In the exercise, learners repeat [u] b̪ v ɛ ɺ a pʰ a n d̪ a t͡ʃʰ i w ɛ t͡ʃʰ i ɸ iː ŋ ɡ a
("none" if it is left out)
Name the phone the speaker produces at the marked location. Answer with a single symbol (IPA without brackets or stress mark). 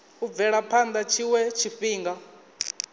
u